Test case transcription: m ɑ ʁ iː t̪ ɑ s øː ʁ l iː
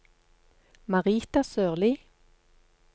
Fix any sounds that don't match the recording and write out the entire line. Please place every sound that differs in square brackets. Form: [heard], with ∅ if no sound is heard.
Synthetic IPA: m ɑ ʁ iː t̪ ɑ s øː ʁ l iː

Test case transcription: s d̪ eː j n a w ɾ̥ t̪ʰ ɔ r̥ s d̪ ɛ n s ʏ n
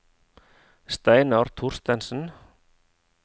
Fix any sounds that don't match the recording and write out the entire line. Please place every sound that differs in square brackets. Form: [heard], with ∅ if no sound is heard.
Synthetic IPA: s [t̪] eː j n a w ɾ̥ t̪ʰ [u] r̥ s [t̪] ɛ n s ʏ n

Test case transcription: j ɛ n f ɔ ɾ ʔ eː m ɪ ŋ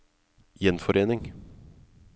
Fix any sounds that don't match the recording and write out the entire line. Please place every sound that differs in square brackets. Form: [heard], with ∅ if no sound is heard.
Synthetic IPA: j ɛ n f ɔ ɾ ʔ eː [n] ɪ ŋ

